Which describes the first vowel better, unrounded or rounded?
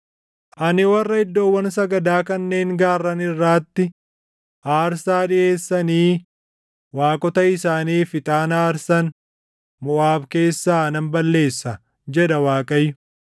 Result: unrounded